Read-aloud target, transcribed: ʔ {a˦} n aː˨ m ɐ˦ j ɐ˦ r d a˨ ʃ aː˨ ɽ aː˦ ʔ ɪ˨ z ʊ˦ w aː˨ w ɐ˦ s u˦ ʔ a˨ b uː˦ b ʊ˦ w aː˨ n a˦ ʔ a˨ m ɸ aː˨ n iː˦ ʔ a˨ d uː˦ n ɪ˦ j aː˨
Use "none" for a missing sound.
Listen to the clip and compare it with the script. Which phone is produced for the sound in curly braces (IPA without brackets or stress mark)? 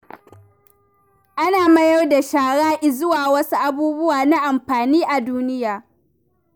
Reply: a˦